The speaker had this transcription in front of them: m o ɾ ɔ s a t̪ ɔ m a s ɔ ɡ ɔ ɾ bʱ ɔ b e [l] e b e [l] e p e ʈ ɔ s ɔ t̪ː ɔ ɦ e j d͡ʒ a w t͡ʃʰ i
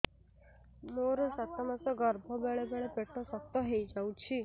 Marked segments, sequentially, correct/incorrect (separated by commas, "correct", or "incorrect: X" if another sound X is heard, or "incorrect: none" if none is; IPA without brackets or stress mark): incorrect: ɭ, incorrect: ɭ